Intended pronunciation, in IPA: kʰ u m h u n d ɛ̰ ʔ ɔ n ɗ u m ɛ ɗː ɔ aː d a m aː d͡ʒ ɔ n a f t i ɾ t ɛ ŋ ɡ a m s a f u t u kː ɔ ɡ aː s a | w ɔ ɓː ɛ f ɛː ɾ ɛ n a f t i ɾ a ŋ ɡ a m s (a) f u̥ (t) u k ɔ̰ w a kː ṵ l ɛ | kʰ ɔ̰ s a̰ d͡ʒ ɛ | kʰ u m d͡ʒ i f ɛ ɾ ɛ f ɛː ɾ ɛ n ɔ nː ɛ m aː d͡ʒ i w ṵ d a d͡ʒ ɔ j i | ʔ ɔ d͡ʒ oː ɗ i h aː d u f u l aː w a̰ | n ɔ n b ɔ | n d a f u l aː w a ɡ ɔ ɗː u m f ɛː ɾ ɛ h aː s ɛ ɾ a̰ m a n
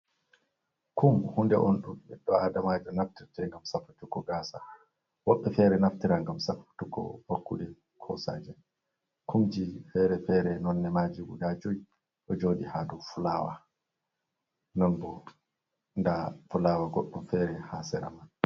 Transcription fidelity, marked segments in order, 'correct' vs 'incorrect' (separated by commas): correct, correct